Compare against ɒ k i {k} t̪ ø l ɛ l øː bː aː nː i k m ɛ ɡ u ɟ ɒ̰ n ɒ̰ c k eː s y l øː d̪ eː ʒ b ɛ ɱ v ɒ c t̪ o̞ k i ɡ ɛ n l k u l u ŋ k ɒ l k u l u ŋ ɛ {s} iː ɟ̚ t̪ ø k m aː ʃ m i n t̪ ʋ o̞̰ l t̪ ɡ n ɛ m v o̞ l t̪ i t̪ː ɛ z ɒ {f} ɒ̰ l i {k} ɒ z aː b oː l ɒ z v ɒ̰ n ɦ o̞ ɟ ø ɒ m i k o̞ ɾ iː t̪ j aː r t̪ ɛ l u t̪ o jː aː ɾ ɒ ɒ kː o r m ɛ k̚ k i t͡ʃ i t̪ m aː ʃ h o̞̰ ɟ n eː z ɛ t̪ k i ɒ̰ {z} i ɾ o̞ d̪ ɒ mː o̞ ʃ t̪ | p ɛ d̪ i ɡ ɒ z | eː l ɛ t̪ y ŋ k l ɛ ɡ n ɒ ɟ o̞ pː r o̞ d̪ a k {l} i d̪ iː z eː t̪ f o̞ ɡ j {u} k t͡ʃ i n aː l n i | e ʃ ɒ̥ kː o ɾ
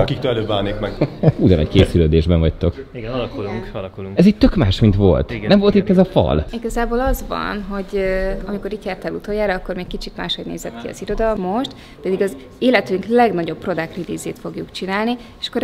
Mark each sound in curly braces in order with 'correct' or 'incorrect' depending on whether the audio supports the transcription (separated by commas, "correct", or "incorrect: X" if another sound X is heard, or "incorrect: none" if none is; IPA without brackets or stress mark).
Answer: correct, incorrect: z, correct, incorrect: ɡ, correct, incorrect: r, correct